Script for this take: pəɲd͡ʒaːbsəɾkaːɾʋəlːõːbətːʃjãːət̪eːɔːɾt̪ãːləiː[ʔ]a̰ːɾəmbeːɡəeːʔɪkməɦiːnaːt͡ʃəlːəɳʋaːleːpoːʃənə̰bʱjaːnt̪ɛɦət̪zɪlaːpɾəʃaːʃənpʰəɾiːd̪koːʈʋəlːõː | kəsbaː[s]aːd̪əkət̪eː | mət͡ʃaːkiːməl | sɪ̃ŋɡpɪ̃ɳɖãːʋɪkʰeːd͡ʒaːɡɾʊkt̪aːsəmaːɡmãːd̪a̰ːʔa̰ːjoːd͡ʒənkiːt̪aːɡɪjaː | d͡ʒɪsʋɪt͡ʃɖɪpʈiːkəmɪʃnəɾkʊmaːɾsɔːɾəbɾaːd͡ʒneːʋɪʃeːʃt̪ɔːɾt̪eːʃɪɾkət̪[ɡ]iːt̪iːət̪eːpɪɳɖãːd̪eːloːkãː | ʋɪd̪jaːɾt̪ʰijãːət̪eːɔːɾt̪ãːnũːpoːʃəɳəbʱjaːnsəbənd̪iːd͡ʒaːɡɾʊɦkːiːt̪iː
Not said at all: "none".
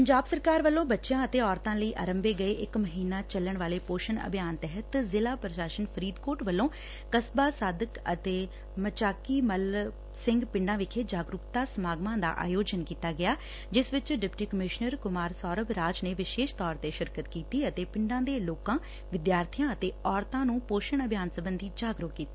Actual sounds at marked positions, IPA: ʔ, s, k

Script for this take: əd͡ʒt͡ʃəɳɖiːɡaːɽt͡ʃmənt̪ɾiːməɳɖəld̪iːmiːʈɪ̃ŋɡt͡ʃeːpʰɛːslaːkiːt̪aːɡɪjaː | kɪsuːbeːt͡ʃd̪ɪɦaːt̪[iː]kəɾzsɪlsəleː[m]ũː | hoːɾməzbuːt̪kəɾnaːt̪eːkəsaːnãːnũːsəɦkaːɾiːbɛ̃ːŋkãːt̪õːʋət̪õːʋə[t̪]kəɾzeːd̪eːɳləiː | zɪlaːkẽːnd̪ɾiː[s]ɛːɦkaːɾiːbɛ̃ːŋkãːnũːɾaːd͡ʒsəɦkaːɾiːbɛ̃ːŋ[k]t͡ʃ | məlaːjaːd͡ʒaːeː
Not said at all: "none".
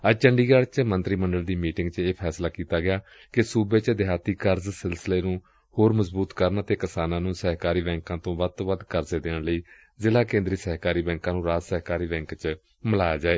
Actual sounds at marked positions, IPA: iː, n, d̪, s, k

